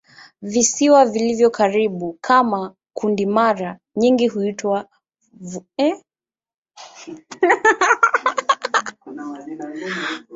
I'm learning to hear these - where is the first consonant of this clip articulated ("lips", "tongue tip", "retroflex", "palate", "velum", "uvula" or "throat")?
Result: lips